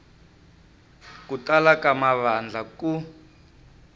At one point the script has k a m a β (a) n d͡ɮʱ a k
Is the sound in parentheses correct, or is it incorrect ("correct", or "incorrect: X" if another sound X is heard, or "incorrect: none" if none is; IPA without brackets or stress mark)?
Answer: correct